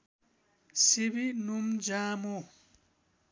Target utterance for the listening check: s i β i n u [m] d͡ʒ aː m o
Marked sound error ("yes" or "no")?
no